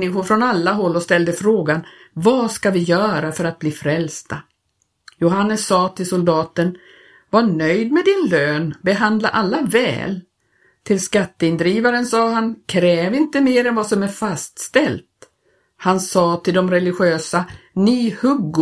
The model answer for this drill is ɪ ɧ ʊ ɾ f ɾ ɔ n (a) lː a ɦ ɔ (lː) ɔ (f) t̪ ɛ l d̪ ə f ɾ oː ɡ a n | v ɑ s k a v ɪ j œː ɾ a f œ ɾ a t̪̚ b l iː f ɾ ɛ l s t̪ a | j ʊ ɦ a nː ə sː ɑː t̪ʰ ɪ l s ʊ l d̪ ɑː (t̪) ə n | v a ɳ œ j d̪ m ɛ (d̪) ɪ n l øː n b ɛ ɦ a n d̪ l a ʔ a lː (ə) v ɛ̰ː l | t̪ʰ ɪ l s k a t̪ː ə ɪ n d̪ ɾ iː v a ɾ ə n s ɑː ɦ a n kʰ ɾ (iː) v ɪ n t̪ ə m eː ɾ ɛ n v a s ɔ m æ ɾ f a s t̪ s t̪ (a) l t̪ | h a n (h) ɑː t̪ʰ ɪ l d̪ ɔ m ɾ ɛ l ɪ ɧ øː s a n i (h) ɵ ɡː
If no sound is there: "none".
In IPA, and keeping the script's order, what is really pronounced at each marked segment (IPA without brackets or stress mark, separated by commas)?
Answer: a, lː, s, t̪, d̪, a, ɛː, ɛ, s, h